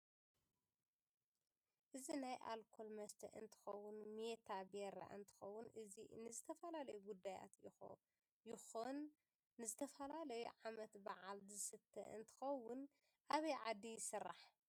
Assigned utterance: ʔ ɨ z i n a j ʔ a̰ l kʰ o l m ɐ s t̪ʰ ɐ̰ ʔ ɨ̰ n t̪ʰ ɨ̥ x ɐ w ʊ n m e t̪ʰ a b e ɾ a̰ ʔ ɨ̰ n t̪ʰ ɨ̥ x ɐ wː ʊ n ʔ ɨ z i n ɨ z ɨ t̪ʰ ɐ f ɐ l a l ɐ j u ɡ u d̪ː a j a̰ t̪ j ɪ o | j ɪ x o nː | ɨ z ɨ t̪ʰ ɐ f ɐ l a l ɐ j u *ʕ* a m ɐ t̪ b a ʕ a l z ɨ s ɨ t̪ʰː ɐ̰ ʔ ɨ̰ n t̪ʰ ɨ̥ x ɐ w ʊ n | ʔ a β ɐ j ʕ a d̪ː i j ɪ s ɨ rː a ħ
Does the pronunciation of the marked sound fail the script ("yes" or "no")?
no